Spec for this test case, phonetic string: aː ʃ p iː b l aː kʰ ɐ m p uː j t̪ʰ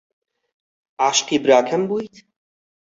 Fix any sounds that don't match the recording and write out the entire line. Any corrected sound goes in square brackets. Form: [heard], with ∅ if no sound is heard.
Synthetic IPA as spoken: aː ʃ [q] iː b [ɾ] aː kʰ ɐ m [b] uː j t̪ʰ